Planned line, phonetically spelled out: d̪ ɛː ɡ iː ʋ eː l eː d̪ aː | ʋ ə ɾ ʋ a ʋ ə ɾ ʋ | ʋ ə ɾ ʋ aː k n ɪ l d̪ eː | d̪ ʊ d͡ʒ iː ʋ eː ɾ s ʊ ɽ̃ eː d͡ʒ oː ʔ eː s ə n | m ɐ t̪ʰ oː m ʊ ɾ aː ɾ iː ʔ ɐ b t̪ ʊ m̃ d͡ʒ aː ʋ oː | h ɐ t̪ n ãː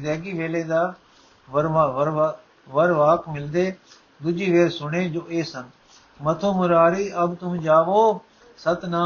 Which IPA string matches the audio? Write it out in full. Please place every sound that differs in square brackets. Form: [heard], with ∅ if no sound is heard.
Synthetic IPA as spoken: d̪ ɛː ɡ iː ʋ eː l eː d̪ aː | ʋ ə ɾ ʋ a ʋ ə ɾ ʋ | ʋ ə ɾ ʋ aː k [m] ɪ l d̪ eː | d̪ ʊ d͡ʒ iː ʋ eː ɾ s ʊ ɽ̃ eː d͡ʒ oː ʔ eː s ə n | m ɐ t̪ʰ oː m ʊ ɾ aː ɾ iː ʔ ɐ b t̪ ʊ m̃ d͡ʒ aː ʋ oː | [s] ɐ t̪ n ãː